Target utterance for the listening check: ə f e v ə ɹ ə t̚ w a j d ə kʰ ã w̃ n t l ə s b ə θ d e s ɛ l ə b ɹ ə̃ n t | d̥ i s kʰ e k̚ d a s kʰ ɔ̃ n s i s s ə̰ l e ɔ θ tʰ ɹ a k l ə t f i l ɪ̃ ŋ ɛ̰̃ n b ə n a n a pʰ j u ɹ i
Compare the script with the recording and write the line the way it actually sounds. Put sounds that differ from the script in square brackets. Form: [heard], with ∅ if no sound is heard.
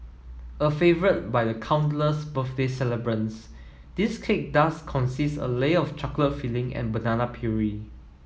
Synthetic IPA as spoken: ə f e v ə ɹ ə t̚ [b] a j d ə kʰ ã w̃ n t l ə s b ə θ d e s ɛ l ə b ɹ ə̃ n [s] | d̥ i s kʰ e k̚ d a s kʰ ɔ̃ n s i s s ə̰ l e ɔ [f] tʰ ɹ a k l ə t f i l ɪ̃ ŋ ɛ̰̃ n b ə n a n a pʰ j u ɹ i

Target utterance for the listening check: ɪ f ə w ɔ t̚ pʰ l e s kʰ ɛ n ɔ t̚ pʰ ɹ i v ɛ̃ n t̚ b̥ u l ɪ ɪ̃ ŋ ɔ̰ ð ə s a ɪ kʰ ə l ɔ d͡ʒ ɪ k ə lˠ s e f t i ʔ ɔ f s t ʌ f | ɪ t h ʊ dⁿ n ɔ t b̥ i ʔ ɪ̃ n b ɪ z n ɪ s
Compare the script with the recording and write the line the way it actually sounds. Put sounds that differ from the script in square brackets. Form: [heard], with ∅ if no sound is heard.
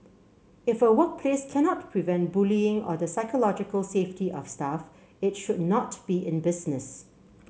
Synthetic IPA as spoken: ɪ f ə w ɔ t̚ pʰ l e s kʰ ɛ n ɔ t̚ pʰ ɹ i v ɛ̃ n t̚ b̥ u l [i] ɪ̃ ŋ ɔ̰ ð ə s a ɪ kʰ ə l ɔ d͡ʒ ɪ k ə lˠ s e f t i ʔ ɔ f s t [a] f | ɪ t [ʃ] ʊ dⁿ n ɔ t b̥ i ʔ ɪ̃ n b ɪ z n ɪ s

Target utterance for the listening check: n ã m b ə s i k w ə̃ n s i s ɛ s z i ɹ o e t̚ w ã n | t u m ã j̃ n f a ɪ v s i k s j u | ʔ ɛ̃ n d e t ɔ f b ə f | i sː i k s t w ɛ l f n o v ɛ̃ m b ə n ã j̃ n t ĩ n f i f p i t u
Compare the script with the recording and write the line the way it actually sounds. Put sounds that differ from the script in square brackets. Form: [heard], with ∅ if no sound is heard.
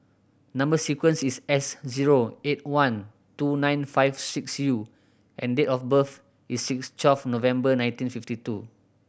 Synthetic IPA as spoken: n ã m b ə s i k w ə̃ n s i s ɛ s z i ɹ o e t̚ w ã n | t u [n] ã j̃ n f a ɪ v s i k s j u | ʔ ɛ̃ n d e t ɔ f b ə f | i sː i k s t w ɛ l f n o v ɛ̃ m b ə n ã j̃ n t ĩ n f i f [t] i t u

